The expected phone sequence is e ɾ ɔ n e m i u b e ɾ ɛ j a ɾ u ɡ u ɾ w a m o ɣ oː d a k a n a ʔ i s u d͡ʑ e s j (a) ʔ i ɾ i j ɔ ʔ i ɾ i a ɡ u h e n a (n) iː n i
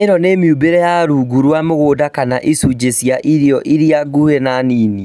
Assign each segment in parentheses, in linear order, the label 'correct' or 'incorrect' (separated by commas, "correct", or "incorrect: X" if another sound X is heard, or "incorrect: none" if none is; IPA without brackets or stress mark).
correct, correct